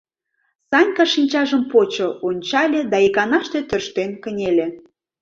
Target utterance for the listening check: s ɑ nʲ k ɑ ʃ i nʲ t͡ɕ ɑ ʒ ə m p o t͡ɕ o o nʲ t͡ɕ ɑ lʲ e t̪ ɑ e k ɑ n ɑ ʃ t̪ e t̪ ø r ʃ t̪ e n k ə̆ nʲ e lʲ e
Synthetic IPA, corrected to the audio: s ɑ nʲ k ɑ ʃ i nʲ t͡ɕ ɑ ʒ ə m p o t͡ɕ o o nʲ t͡ɕ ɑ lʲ e d̪ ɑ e k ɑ n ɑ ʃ t̪ e t̪ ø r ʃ t̪ e n k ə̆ nʲ e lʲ e